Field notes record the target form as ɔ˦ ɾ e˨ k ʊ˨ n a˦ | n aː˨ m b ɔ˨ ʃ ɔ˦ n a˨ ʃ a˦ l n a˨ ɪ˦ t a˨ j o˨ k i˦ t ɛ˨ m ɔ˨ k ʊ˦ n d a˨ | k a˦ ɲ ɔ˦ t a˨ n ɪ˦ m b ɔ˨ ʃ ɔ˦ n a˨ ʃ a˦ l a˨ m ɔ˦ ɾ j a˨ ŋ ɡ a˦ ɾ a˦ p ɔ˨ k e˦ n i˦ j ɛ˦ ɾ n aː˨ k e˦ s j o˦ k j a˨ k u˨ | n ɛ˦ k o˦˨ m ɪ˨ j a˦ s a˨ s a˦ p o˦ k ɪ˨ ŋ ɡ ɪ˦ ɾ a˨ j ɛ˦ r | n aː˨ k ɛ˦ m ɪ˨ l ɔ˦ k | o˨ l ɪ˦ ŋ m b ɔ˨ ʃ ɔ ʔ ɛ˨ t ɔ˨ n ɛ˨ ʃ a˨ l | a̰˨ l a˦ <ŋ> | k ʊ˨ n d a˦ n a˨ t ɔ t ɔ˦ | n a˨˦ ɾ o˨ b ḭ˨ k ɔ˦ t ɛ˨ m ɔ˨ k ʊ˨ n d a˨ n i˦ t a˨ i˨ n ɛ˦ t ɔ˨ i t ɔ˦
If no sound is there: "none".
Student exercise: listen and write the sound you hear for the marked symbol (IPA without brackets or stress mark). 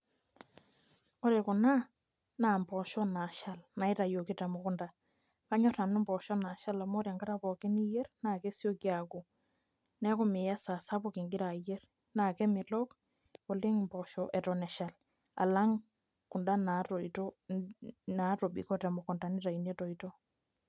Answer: ŋ